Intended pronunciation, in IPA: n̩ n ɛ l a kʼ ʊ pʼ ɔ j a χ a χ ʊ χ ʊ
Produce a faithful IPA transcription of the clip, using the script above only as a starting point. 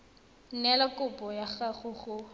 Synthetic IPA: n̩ n ɛ l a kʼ ʊ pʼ ɔ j a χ a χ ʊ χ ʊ